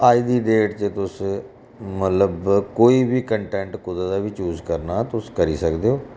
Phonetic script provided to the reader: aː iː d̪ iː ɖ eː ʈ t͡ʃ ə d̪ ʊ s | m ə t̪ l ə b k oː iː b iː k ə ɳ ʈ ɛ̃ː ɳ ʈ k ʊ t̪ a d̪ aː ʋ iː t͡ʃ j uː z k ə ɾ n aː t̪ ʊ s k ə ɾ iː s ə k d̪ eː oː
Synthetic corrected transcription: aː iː d̪ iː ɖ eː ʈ t͡ʃ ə t̪ ʊ s | m ə t̪ l ə b k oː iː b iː k ə ɳ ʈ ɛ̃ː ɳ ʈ k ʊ d̪ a d̪ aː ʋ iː t͡ʃ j uː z k ə ɾ n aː t̪ ʊ s k ə ɾ iː s ə k d̪ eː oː